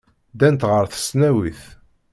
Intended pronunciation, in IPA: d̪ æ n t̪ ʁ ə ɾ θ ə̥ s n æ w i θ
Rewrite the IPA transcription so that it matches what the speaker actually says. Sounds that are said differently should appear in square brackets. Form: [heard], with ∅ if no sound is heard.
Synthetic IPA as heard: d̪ æ n t̪ ʁ ə ɾ θ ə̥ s n æ w i θ